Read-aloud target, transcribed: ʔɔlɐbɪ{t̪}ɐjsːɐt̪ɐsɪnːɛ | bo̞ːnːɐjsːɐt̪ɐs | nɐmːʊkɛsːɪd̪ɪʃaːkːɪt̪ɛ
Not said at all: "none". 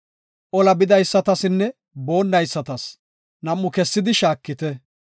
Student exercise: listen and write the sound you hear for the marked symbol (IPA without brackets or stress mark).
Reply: d̪